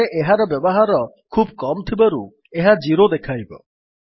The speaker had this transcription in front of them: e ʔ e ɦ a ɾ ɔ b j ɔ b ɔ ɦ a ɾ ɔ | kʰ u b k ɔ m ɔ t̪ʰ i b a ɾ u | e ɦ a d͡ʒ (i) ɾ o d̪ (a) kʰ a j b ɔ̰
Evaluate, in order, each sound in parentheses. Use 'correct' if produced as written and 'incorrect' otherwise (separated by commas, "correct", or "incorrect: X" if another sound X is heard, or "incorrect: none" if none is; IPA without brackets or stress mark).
correct, incorrect: e